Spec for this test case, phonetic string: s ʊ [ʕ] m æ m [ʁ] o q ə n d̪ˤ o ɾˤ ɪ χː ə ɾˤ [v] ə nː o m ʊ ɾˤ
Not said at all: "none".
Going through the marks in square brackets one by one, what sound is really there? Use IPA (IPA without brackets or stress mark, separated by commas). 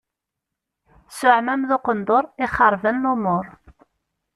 ʕ, ð, v